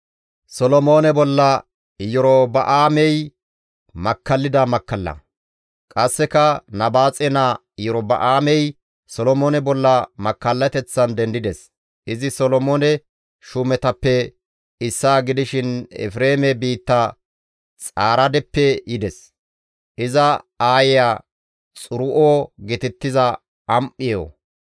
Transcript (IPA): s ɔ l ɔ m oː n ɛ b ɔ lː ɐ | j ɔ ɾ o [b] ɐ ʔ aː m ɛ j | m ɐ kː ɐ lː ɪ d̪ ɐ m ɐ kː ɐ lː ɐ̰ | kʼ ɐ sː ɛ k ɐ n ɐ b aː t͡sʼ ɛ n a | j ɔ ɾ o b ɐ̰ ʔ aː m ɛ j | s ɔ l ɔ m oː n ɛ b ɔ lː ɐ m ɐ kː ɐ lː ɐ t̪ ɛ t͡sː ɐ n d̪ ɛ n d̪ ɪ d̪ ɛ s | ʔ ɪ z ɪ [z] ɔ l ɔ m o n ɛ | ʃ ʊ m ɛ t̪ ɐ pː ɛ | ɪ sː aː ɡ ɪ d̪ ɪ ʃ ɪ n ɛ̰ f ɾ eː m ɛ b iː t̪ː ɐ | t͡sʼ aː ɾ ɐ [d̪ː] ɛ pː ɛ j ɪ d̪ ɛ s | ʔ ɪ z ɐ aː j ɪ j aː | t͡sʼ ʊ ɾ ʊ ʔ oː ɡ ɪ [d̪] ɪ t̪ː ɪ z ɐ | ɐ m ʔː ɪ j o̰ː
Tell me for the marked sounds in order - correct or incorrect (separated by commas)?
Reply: correct, incorrect, incorrect, incorrect